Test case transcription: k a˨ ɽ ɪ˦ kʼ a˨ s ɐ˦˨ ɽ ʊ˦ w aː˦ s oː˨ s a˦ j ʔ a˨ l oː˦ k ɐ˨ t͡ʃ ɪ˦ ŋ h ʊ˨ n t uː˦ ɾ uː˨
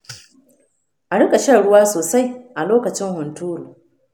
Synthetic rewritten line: ʔ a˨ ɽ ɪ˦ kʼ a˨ ʃ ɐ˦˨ ɽ ʊ˦ w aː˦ s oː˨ s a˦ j ʔ a˨ l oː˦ k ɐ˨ t͡ʃ ɪ˦ ŋ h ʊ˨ n t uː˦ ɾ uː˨